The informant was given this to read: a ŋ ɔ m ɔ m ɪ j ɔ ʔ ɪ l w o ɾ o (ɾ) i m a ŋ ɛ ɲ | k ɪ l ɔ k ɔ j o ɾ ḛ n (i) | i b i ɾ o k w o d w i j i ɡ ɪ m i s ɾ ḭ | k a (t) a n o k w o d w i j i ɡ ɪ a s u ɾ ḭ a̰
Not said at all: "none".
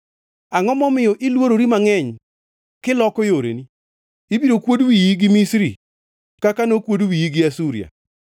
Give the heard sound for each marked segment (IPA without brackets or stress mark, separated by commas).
ɾ, i, k